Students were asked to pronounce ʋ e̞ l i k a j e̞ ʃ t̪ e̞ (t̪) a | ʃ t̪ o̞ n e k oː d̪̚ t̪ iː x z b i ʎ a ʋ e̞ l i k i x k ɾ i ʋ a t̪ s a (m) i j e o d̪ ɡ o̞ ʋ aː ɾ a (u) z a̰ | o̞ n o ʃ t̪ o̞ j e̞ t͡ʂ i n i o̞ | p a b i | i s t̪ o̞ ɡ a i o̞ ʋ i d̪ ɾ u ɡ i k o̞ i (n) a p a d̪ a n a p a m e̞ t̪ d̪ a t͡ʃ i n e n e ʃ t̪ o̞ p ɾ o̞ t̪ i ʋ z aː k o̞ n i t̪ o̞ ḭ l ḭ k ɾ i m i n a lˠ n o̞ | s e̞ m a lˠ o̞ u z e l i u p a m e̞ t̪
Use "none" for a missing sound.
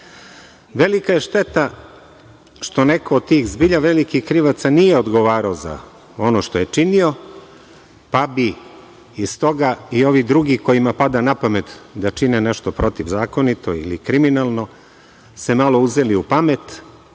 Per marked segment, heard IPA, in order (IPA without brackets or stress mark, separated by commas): t̪, n, o, m